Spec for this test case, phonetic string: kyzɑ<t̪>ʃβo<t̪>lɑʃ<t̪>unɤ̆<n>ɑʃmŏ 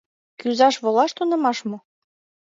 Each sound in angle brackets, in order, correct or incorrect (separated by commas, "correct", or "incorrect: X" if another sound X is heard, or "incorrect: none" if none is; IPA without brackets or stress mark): incorrect: none, incorrect: none, correct, incorrect: m